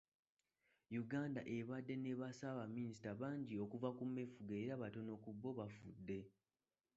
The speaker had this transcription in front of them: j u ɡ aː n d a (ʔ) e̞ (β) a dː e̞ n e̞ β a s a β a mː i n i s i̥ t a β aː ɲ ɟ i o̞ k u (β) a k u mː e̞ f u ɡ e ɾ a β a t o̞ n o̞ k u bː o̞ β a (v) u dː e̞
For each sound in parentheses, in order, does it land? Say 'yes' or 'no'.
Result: yes, yes, no, no

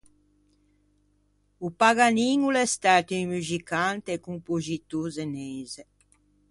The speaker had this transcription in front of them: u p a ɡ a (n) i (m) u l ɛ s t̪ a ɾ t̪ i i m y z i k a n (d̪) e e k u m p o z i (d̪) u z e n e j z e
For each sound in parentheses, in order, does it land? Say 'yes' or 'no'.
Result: yes, no, no, no

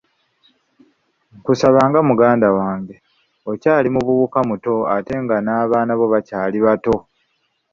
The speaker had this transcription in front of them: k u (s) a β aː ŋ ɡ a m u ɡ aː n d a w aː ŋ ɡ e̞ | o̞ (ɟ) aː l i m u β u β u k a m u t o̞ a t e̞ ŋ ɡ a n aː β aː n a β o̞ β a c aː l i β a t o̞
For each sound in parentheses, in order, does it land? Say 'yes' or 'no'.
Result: yes, no

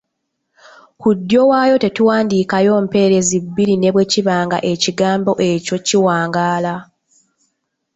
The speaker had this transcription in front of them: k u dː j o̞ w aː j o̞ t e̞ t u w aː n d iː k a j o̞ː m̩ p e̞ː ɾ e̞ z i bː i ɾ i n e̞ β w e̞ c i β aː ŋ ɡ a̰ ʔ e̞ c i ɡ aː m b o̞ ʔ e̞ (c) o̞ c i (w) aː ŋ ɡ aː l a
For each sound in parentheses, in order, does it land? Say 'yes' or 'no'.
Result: yes, yes

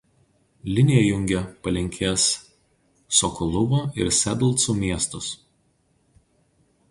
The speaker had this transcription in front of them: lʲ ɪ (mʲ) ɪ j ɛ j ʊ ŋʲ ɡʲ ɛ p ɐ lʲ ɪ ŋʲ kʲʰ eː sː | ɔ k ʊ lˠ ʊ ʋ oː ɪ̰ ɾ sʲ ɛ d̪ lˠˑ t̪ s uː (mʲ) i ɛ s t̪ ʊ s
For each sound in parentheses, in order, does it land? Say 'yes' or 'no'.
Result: no, yes

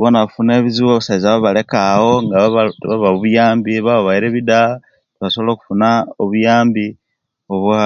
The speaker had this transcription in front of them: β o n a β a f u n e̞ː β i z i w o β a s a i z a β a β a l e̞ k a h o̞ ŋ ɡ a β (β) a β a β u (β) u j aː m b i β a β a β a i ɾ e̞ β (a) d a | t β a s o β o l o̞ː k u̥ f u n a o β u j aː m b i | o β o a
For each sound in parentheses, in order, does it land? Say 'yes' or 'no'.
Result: yes, yes, no

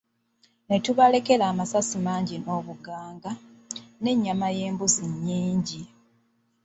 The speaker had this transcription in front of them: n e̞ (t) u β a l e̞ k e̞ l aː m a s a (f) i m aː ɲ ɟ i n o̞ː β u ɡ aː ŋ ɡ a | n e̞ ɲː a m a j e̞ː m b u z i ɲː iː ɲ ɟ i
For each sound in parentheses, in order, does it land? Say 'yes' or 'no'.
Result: yes, no

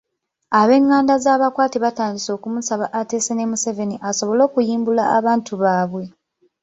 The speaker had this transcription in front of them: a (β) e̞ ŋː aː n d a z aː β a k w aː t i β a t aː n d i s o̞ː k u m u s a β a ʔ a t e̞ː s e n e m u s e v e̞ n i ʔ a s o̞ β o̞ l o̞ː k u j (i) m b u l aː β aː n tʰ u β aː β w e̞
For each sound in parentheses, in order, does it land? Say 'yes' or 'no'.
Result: yes, no

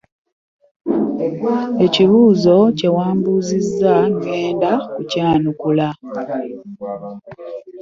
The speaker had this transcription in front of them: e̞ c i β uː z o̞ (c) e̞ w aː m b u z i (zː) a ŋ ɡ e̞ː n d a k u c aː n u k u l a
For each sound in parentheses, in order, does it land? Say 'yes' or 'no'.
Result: yes, yes

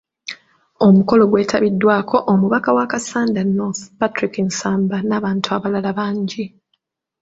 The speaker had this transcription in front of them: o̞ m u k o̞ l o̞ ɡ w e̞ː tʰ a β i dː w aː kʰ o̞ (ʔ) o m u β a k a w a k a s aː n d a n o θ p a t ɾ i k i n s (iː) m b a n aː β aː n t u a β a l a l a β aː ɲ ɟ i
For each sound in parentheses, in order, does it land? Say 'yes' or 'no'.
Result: yes, no

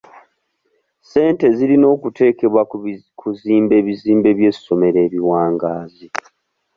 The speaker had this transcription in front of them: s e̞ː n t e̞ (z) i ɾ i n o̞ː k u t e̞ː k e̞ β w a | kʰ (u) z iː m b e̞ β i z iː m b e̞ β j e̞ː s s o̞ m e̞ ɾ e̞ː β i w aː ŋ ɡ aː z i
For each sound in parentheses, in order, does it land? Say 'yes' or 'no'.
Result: yes, yes

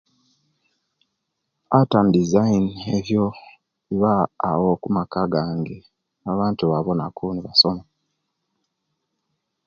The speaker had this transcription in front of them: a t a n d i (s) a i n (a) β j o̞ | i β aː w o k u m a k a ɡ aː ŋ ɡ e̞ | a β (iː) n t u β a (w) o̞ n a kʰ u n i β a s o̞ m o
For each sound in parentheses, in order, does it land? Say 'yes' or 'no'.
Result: no, no, no, no

